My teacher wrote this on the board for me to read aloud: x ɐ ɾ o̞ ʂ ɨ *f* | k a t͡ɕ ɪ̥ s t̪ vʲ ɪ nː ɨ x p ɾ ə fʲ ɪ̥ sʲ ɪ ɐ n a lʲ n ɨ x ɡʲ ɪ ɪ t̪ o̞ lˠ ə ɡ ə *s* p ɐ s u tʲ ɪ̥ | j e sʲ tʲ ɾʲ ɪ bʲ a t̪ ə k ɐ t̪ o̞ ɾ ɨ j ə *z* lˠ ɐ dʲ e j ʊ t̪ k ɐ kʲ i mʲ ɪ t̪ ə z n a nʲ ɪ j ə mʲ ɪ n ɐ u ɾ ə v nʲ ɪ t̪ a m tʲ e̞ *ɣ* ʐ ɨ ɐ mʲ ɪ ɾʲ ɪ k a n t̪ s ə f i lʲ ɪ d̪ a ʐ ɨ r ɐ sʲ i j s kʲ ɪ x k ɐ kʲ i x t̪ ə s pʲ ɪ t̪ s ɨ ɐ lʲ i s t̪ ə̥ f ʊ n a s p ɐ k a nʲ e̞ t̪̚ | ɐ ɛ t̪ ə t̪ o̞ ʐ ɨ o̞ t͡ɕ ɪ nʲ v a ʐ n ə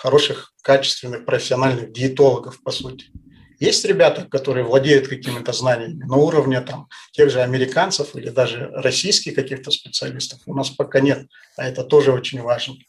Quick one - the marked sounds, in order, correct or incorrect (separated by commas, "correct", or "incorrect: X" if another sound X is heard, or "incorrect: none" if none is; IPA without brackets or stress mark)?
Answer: incorrect: x, incorrect: f, incorrect: v, correct